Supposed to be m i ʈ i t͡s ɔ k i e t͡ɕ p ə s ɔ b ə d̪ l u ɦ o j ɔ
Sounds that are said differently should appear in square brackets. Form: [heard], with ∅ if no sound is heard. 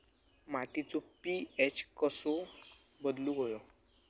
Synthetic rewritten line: m [a] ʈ i t͡s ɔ [p] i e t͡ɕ [k] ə s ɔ b ə d̪ l u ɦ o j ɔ